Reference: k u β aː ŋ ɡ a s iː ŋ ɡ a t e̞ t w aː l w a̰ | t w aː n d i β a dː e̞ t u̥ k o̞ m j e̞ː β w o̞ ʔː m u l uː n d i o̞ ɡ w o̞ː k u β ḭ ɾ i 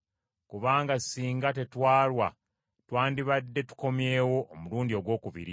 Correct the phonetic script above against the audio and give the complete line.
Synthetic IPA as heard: k u β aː ŋ ɡ a s iː ŋ ɡ a t e̞ t w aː l w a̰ | t w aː n d i β a dː e̞ t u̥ k o̞ m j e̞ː w o̞ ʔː m u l uː n d i o̞ ɡ w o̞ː k u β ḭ ɾ i

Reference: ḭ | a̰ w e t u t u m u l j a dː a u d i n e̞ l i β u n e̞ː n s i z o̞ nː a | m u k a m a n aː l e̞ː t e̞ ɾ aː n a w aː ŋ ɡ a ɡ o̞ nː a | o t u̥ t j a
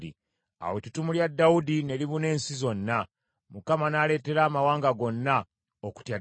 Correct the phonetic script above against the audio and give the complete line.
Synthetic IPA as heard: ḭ | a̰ w e t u t u m u l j a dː a u d i n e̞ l i β u n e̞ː n s i z o̞ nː a | m u k a m a n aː l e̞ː t e̞ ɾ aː m a w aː ŋ ɡ a ɡ o̞ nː a | o k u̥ t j a

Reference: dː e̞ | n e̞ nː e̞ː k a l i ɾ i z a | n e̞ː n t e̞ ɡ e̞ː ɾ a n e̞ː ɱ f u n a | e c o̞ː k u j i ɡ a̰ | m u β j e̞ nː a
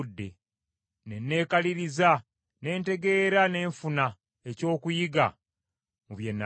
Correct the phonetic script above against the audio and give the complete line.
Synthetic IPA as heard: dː e̞ | n e̞ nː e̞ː k a l i ɾ i z a | n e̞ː n t e̞ ɡ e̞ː ɾ a n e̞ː ɱ f u n a | e c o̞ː k u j i ɡ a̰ | m u β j e̞ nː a

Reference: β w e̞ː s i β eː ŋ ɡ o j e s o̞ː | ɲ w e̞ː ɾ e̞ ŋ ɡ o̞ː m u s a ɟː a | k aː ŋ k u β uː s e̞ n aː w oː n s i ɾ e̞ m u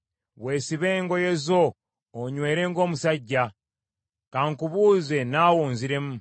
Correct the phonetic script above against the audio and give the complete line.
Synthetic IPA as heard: β w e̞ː s i β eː ŋ ɡ o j e z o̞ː | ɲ w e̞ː ɾ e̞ ŋ ɡ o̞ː m u s a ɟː a | k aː ŋ k u β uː z e̞ n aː w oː n z i ɾ e̞ m u

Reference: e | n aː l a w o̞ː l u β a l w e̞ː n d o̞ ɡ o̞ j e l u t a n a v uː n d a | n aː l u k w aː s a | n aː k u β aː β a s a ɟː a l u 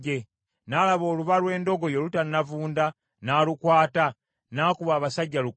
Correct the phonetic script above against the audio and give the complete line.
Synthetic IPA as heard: e | n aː l a β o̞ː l u β a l w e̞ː n d o̞ ɡ o̞ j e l u t a n a v uː n d a | n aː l u k w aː t a | n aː k u β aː β a s a ɟː a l u

